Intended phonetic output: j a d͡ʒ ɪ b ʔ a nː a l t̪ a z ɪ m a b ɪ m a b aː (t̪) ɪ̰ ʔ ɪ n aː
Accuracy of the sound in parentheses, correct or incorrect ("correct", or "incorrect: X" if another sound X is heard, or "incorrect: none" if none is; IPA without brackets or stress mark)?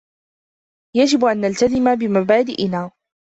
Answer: incorrect: d̪